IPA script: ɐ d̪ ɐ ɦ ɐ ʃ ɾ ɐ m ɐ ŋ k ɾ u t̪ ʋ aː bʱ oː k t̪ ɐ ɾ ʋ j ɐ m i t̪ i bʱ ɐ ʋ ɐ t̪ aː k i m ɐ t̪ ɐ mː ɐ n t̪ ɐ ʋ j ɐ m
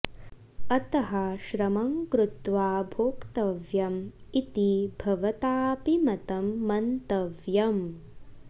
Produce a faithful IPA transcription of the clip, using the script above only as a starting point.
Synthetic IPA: ɐ t̪ ɐ ɦ ɐ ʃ ɾ ɐ m ɐ ŋ k ɾ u t̪ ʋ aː bʱ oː k t̪ ɐ ʋ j ɐ m i t̪ i bʱ ɐ ʋ ɐ t̪ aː p i m ɐ t̪ ɐ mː ɐ n t̪ ɐ ʋ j ɐ m